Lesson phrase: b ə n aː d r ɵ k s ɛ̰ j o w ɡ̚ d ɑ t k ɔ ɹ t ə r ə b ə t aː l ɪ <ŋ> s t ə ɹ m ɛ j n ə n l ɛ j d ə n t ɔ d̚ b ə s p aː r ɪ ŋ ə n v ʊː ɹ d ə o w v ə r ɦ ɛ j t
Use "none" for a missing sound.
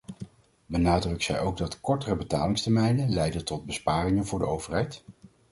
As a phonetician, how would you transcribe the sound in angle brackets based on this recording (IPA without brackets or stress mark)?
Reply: ŋ